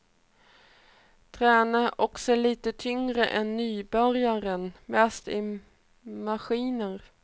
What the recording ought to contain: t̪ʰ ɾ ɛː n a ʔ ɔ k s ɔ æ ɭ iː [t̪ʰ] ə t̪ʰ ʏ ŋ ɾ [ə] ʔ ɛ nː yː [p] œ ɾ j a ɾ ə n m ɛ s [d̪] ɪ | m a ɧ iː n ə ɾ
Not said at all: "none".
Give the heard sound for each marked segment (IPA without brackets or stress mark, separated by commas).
t̪, ə, b, t̪